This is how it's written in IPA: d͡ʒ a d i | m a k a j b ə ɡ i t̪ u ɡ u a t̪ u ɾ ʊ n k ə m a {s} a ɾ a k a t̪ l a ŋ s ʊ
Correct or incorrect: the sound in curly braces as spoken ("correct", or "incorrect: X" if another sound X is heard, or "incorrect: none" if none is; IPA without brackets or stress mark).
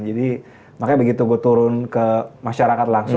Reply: incorrect: ʃ